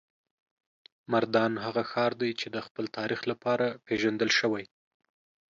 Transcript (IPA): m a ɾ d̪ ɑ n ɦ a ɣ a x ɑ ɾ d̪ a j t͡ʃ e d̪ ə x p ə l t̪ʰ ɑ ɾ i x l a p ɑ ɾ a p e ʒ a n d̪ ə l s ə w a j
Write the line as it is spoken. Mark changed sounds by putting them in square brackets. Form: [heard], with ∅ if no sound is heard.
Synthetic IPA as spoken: m a ɾ d̪ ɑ n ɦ a ɣ a x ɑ ɾ d̪ a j t͡ʃ e d̪ ə x p ə l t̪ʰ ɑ ɾ i x l a p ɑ ɾ a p e ʒ a n d̪ ə l [ʃ] ə w a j